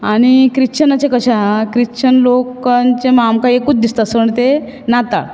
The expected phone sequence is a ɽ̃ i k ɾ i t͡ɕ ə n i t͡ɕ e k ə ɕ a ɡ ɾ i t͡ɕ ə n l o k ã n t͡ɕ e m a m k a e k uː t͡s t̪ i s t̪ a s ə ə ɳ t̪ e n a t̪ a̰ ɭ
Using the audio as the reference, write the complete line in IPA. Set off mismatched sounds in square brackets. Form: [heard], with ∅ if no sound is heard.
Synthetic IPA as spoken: a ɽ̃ i k ɾ i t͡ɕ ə n [a] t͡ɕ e k ə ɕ a [k] ɾ i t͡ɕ ə n l o k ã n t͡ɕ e m a m k a e k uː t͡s [d̪] i s t̪ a s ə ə ɳ t̪ e n a t̪ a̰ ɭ